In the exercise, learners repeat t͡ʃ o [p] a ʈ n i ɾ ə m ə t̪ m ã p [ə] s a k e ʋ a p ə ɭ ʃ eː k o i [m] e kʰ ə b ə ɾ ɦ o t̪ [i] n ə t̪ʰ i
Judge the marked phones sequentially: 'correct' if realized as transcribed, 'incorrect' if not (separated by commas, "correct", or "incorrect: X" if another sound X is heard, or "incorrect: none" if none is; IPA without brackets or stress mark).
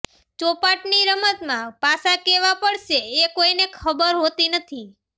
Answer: correct, incorrect: a, incorrect: n, correct